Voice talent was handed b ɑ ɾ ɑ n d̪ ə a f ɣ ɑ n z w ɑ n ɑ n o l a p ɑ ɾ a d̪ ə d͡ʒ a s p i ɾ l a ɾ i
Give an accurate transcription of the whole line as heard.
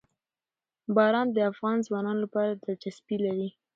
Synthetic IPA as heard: b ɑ ɾ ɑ n d̪ ə a f ɣ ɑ n z w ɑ n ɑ n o l a p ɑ ɾ a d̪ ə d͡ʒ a s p i l a ɾ i